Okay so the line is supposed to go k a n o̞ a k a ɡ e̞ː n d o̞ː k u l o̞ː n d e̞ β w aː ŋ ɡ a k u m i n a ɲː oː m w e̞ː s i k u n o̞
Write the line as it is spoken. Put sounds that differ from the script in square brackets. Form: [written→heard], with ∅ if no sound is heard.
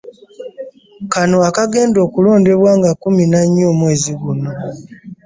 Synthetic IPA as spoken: k a n o̞ a k a ɡ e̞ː n d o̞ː k u l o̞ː n d e̞ β w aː ŋ ɡ a k u m i n a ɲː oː m w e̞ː [s→z] i [k→ɡ] u n o̞